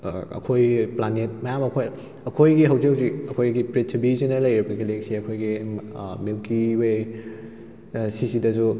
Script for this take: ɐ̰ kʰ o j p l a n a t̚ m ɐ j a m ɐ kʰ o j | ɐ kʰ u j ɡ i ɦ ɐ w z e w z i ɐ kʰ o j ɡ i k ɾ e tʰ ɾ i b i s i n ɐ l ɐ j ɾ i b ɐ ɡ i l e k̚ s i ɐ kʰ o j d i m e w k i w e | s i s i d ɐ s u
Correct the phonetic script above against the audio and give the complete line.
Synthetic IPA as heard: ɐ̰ kʰ o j p l a n e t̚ m ɐ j a m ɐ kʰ o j | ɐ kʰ o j ɡ i ɦ ɐ w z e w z i ɐ kʰ o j ɡ i p ɾ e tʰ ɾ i b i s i n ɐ l ɐ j ɾ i b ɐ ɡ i l e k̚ s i ɐ kʰ o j ɡ i m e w k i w e | s i s i d ɐ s u